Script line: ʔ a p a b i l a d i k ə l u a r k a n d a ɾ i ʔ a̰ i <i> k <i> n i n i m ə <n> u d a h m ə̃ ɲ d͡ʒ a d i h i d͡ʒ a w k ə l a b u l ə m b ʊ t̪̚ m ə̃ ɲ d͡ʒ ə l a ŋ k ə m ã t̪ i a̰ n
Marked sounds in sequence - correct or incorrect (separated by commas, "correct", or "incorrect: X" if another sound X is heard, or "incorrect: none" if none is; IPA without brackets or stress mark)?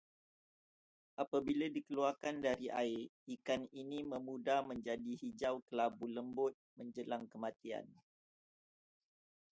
correct, incorrect: a, incorrect: m